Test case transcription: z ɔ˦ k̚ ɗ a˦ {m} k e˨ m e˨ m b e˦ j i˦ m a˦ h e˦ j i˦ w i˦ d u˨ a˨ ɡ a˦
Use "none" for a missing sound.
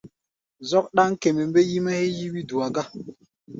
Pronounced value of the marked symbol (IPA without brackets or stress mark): ŋ